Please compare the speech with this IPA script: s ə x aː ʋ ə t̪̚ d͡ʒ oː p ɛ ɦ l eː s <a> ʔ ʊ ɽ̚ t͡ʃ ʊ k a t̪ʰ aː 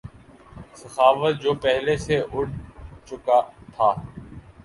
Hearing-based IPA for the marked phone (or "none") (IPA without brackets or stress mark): e